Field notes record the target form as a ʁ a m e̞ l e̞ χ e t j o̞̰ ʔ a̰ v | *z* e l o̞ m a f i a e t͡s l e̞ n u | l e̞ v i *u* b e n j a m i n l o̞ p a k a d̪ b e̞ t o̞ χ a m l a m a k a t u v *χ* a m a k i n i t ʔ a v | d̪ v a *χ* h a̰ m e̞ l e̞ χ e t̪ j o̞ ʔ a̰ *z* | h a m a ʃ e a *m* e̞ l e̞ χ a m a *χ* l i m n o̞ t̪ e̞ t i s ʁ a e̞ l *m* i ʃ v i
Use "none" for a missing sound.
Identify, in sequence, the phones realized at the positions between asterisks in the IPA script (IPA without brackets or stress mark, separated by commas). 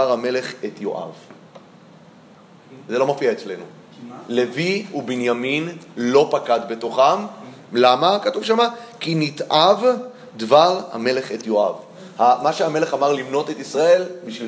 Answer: z, u, ʃ, ʁ, v, m, ʁ, b